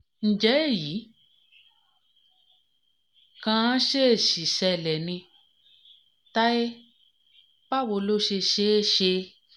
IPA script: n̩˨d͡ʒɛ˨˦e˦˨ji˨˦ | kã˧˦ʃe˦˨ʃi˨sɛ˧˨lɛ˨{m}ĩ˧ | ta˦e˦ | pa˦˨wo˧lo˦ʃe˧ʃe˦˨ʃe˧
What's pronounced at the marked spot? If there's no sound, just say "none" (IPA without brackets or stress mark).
n